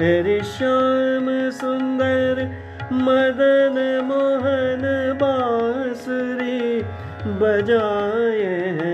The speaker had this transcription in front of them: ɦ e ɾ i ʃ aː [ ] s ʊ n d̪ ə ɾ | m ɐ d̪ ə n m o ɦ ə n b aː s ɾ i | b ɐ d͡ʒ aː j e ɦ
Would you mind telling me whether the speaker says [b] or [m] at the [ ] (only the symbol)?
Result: m